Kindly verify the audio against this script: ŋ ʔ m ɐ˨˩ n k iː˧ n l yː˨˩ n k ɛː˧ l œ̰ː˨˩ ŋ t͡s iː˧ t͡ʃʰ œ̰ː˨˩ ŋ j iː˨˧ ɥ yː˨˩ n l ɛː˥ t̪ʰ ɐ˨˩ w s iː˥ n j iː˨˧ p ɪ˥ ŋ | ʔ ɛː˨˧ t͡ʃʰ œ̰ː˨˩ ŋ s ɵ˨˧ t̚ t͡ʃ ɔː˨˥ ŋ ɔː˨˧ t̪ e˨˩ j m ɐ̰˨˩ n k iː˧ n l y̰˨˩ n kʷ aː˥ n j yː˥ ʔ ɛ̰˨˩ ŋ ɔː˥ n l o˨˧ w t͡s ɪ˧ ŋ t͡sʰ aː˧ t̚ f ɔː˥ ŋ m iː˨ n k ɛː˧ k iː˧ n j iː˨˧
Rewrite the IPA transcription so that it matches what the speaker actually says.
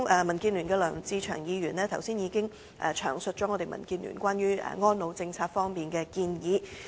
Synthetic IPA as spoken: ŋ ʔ m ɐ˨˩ n k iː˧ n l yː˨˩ n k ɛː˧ l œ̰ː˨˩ ŋ t͡s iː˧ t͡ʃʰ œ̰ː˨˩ ŋ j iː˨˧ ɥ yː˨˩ n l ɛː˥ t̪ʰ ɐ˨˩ w s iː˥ n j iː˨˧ k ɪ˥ ŋ | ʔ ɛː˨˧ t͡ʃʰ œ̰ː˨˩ ŋ s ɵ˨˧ t̚ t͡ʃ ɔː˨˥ ŋ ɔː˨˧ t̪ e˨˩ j m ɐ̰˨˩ n k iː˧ n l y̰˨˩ n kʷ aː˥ n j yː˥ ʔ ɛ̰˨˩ ŋ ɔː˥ n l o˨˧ w t͡s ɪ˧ ŋ t͡sʰ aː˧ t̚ f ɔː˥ ŋ m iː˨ n k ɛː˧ k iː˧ n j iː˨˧

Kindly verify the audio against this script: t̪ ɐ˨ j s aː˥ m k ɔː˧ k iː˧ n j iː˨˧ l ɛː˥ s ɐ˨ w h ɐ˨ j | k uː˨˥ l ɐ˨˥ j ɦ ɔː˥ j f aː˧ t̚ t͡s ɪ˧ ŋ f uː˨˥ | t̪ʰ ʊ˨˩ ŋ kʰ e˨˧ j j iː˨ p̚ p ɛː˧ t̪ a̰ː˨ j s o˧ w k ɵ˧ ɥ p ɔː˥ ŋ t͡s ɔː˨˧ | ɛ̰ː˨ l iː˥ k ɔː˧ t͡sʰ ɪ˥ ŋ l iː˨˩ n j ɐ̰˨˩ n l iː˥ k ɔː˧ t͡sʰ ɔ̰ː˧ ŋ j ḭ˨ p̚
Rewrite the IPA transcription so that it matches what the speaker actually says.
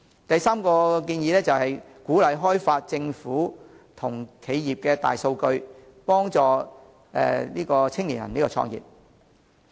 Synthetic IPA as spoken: t̪ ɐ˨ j s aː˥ m k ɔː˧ k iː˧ n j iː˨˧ l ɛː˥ t͡s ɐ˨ w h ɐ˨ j | k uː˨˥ l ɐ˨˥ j ɦ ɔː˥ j f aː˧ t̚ t͡s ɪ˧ ŋ f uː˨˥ | t̪ʰ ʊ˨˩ ŋ kʰ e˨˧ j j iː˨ p̚ k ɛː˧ t̪ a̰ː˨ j s o˧ w k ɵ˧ ɥ p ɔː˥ ŋ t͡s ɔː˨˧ | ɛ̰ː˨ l iː˥ k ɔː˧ t͡sʰ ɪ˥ ŋ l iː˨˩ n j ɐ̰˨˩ n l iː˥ k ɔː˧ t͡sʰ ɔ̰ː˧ ŋ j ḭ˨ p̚

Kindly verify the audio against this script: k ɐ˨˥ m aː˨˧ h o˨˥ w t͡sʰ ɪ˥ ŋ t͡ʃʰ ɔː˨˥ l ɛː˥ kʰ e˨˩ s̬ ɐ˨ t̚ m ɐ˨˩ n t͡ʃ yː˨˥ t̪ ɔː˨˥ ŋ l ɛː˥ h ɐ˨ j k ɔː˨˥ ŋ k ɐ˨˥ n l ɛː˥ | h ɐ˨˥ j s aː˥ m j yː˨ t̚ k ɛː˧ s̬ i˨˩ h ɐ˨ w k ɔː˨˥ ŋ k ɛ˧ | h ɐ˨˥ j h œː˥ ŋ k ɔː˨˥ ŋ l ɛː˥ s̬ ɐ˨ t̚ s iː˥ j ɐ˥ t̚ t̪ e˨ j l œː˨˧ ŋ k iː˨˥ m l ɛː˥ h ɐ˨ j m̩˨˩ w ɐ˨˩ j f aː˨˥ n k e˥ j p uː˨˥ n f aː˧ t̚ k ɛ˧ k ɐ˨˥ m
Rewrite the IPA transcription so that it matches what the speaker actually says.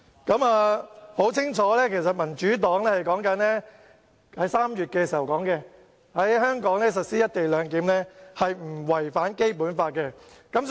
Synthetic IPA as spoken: k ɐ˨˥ m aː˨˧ h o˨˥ w t͡sʰ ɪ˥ ŋ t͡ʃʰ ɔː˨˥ l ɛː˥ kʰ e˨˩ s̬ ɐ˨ t̚ m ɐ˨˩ n t͡ʃ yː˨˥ t̪ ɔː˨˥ ŋ l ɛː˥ h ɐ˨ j k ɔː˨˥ ŋ k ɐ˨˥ n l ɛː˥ | h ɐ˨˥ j s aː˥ m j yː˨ t̚ k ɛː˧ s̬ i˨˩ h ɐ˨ w k ɔː˨˥ ŋ k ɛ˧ | h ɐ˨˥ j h œː˥ ŋ k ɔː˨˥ ŋ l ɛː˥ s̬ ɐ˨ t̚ s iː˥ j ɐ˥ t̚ t̪ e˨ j l œː˨˧ ŋ k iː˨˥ m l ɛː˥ h ɐ˨ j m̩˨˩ w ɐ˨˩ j f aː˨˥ n k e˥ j p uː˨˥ n f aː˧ t̚ k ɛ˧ k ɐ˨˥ m

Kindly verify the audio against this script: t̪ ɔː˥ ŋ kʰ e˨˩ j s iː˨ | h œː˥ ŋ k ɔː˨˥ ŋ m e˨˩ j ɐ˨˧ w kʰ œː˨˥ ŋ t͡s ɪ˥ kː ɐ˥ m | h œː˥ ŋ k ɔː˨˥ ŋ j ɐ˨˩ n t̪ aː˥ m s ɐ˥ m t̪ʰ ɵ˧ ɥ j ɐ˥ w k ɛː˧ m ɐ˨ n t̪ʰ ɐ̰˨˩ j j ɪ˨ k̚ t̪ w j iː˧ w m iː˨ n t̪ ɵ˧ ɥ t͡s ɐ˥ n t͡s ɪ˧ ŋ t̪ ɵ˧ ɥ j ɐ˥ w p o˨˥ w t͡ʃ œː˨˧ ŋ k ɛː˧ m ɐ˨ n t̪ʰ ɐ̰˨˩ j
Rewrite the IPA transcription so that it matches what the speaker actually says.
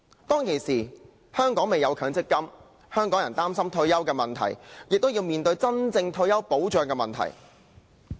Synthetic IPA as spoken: t̪ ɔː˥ ŋ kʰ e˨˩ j s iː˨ | h œː˥ ŋ k ɔː˨˥ ŋ m e˨˩ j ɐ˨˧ w kʰ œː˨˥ ŋ t͡s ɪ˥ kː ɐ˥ m | h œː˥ ŋ k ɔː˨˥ ŋ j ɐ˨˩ n t̪ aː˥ m s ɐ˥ m t̪ʰ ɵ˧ ɥ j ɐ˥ w k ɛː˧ m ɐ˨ n t̪ʰ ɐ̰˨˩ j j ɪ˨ k̚ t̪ w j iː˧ w m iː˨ n t̪ ɵ˧ ɥ t͡s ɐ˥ n t͡s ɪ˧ ŋ t̪ʰ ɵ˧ ɥ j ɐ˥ w p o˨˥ w t͡ʃ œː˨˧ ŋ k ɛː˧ m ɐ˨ n t̪ʰ ɐ̰˨˩ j

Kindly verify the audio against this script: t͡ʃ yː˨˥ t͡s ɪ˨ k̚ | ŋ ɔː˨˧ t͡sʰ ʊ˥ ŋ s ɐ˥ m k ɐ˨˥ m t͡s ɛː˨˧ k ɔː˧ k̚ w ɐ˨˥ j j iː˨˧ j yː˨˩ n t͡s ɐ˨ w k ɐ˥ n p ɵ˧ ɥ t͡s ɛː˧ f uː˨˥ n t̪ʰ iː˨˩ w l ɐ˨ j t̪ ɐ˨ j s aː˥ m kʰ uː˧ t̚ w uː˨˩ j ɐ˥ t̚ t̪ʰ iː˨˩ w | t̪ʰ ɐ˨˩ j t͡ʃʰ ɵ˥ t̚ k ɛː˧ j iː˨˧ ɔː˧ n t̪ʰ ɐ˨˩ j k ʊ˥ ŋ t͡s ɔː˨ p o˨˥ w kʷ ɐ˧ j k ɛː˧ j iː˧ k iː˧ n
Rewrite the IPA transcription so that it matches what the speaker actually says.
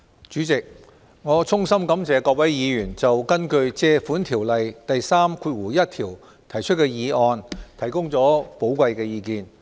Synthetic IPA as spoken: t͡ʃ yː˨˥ t͡s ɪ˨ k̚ | ŋ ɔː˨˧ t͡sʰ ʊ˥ ŋ s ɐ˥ m k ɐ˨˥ m t͡s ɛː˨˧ k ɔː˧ k̚ w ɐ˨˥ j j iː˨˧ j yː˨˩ n t͡s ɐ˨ w k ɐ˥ n k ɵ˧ ɥ t͡s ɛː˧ f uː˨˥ n t̪ʰ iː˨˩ w l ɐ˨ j t̪ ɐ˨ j s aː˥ m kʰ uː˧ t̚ w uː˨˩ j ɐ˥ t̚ t̪ʰ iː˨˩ w | t̪ʰ ɐ˨˩ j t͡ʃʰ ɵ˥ t̚ k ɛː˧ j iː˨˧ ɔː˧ n t̪ʰ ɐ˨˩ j k ʊ˥ ŋ t͡s ɔː˨˥ p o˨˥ w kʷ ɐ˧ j k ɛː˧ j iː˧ k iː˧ n

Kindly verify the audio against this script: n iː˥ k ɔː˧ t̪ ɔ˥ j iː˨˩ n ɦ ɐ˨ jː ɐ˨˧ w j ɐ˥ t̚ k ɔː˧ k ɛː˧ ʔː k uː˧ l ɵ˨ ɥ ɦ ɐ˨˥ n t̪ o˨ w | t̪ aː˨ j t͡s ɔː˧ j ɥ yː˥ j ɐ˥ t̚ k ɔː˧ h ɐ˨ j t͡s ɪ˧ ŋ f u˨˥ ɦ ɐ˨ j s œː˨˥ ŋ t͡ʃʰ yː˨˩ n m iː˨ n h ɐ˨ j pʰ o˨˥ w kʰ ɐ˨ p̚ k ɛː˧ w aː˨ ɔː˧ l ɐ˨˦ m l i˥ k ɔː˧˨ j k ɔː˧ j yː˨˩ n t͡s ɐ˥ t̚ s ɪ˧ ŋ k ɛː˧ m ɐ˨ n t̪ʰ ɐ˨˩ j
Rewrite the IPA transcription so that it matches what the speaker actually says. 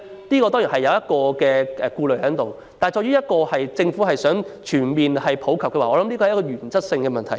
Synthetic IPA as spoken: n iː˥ k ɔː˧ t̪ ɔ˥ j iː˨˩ n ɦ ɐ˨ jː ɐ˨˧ w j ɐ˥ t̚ k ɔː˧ k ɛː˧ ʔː k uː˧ l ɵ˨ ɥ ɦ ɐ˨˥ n t̪ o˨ w | t̪ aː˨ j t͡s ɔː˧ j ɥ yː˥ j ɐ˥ t̚ k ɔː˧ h ɐ˨ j t͡s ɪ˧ ŋ f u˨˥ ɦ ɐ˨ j s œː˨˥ ŋ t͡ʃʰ yː˨˩ n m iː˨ n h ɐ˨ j pʰ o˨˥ w kʰ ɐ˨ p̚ k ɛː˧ w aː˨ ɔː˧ l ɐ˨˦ m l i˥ k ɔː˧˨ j k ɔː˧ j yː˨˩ n t͡s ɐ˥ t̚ s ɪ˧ ŋ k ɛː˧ m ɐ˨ n t̪ʰ ɐ˨˩ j

